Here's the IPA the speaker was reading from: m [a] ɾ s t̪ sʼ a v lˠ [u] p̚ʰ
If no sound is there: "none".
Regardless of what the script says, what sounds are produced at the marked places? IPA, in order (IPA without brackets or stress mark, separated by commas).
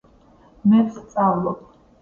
ɛ, ɔ